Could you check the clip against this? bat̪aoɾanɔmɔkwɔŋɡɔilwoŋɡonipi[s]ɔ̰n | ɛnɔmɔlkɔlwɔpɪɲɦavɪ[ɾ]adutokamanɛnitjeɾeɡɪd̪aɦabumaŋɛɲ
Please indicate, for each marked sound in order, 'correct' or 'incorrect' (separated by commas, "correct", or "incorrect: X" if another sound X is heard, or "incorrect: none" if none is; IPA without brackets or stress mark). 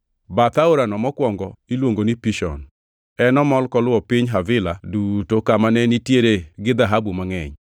incorrect: ʃ, incorrect: l